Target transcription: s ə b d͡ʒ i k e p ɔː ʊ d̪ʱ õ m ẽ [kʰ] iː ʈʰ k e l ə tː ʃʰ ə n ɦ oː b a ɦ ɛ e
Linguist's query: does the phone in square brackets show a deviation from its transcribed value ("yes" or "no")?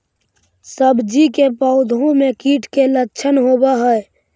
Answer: yes